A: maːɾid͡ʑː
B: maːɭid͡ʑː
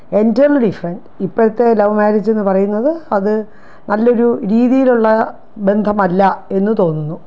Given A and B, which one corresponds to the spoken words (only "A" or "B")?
A